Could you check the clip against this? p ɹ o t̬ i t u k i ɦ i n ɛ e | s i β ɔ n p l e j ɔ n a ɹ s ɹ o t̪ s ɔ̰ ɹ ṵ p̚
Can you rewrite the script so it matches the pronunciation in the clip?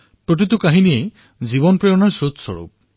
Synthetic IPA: p ɹ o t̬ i t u k a ɦ i n i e | z i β ɔ n p ɹ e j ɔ n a ɹ s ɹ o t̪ s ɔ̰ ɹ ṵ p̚